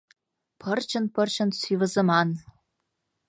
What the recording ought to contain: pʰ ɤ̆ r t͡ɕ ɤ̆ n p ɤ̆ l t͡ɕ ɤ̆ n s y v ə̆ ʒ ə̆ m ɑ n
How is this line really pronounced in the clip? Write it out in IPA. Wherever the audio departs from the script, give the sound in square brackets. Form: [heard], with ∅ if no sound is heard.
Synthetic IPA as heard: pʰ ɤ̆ r t͡ɕ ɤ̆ n p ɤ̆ [r] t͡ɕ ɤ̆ n s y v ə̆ [z] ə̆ m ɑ n